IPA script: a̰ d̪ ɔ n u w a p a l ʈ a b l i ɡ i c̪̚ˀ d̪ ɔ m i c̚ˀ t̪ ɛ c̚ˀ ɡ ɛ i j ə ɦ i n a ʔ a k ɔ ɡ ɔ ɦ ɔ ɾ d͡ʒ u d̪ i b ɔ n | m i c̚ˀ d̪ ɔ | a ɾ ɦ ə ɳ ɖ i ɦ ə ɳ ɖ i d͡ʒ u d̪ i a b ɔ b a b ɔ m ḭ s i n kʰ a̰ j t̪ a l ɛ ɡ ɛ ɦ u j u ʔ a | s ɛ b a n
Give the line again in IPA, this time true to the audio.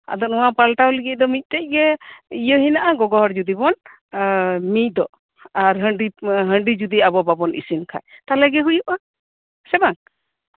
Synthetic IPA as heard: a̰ d̪ ɔ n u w a p a l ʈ a w l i ɡ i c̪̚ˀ d̪ ɔ m i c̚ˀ t̪ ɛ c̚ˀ ɡ ɛ i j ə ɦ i n a ʔ a ɡ ɔ ɡ ɔ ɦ ɔ ɾ d͡ʒ u d̪ i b ɔ n | m i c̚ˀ d̪ ɔ | a ɾ ɦ ə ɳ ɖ i ɦ ə ɳ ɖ i d͡ʒ u d̪ i a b ɔ b a b ɔ n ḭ s i n kʰ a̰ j t̪ a l ɛ ɡ ɛ ɦ u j u ʔ a | s ɛ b a ŋ